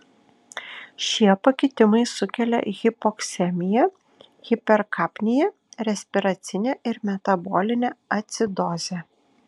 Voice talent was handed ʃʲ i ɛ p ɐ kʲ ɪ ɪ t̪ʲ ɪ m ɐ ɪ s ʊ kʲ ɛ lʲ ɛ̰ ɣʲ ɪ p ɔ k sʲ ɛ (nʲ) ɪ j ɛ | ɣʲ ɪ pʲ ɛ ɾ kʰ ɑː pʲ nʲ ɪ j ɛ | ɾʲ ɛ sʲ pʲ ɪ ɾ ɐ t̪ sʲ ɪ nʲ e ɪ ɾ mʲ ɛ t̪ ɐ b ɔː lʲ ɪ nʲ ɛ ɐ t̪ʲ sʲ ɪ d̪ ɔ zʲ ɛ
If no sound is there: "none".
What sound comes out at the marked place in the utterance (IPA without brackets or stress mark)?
mʲ